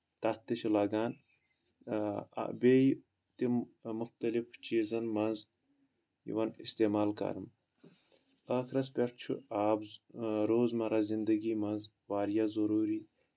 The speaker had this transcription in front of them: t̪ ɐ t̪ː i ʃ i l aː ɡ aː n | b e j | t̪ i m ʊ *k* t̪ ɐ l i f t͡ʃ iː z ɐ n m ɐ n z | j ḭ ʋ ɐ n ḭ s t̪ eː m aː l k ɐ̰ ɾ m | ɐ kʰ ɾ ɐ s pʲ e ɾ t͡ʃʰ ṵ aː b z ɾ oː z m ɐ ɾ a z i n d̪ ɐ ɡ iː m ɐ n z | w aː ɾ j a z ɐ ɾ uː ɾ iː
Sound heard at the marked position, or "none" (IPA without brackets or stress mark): x